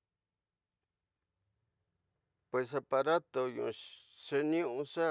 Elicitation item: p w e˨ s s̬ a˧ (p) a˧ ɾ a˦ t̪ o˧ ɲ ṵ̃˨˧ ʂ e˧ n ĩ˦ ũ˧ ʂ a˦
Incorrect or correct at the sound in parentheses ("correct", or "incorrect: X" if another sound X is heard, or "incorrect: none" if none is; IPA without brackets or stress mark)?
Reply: correct